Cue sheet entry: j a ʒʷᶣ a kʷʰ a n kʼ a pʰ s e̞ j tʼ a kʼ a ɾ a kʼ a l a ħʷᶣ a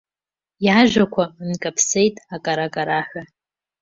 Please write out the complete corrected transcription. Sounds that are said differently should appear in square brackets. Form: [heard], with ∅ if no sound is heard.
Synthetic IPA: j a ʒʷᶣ a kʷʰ a n kʼ a pʰ s e̞ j tʼ a kʼ a ɾ a kʼ a [ɾ] a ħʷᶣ a